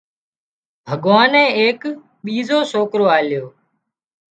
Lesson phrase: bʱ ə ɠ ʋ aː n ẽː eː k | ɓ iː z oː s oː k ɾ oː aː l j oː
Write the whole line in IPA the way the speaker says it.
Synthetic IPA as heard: bʱ ə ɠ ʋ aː n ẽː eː k | ɓ iː z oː s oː k ɾ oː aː l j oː